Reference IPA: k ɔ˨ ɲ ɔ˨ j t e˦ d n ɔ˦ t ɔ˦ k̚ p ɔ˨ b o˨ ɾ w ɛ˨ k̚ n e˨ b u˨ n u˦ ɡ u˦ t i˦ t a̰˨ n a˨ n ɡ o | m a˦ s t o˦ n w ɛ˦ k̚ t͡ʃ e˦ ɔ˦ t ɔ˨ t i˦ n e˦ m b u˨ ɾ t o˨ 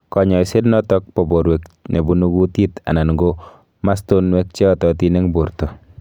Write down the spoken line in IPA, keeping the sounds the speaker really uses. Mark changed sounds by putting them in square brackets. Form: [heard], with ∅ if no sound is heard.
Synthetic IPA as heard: k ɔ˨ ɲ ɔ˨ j [s] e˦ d n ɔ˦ t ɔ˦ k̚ p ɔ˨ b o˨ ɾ w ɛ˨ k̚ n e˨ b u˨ n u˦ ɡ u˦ t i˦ t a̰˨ n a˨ n ɡ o | m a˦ s t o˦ n w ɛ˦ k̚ t͡ʃ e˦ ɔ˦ t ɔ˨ t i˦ n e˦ [ŋ] b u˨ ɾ t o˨